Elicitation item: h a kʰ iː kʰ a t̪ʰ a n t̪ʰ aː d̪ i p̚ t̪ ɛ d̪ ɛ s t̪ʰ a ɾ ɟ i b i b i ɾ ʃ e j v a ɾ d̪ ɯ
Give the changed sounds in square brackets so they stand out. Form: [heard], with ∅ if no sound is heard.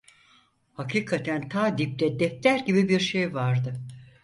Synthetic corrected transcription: h a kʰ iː kʰ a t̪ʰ [æ] n t̪ʰ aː d̪ i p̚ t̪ ɛ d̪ ɛ [f] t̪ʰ [æ] ɾ ɟ i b i b i ɾ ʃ e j v a ɾ d̪ ɯ